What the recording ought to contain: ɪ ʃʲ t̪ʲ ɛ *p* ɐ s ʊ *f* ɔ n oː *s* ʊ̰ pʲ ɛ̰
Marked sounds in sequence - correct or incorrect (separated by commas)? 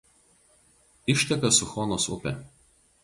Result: incorrect, incorrect, correct